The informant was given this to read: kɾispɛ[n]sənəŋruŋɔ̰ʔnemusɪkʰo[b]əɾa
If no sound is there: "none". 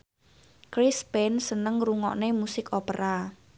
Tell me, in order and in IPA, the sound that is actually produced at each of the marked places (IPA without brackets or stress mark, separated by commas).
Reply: n, p